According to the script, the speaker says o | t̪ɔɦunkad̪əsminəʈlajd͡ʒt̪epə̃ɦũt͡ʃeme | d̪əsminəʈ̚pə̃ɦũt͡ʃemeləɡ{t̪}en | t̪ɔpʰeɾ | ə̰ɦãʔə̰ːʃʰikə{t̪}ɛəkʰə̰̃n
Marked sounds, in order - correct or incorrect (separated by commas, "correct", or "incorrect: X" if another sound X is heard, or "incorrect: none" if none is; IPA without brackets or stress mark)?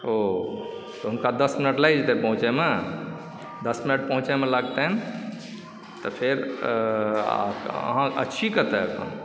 correct, correct